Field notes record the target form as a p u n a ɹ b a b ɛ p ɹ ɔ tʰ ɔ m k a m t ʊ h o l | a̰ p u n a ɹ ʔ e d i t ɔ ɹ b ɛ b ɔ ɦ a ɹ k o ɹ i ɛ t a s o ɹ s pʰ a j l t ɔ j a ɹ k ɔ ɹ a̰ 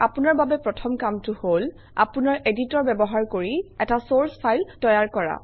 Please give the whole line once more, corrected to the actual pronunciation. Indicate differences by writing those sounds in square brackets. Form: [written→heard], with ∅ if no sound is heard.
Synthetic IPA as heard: a p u n a ɹ b a b ɛ p ɹ ɔ tʰ ɔ m k a m t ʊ h o l | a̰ p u n a ɹ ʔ e d i t ɔ ɹ b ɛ b ɔ ɦ a ɹ k o ɹ i ɛ t a s o ɹ s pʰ a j l t ɔ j a ɹ k ɔ ɹ a̰